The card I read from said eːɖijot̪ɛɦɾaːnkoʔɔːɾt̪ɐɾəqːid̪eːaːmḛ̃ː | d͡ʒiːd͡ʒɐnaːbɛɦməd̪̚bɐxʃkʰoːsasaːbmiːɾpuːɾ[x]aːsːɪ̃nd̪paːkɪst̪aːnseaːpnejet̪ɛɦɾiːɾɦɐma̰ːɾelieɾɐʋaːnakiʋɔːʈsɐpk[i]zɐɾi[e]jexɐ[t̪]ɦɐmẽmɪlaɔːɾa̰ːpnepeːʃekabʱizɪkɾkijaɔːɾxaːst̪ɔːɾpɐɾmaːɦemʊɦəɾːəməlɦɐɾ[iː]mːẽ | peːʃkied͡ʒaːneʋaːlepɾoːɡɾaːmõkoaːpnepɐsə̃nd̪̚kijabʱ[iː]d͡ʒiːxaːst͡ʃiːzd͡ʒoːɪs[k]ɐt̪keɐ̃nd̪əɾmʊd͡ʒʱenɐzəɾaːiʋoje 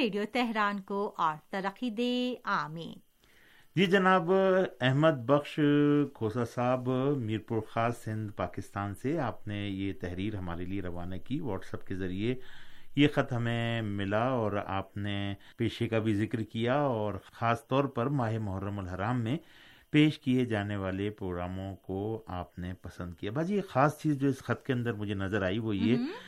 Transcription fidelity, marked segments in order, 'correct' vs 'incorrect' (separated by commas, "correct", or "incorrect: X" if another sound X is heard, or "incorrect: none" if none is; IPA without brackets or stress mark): correct, incorrect: e, correct, correct, incorrect: aː, incorrect: aː, incorrect: x